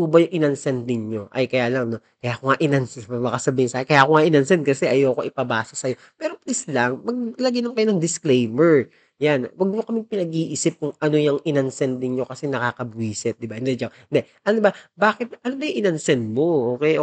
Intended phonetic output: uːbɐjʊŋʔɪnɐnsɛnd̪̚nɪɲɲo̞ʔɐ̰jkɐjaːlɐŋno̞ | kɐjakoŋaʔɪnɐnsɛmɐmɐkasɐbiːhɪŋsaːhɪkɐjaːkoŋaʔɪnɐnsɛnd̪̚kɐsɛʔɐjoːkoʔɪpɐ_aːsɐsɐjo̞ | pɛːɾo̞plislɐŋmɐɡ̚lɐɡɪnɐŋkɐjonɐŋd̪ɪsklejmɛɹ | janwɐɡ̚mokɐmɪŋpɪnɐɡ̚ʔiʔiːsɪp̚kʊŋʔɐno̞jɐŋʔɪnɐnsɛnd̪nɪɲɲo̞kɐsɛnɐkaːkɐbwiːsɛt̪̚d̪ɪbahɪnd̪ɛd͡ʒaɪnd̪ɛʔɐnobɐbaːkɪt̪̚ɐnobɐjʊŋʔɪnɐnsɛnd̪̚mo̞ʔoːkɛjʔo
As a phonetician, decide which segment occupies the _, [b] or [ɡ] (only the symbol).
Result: b